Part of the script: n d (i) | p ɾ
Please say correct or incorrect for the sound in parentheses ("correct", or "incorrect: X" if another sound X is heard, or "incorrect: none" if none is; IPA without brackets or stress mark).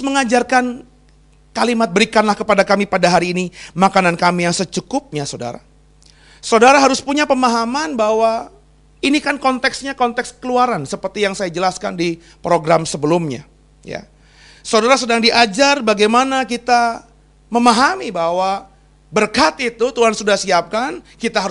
correct